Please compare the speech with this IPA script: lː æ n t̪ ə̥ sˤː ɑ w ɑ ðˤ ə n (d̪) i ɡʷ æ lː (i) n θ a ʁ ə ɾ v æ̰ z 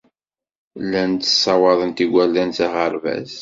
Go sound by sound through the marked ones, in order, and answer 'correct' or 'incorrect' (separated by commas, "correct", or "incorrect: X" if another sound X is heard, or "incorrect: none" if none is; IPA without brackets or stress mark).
incorrect: t̪, incorrect: æ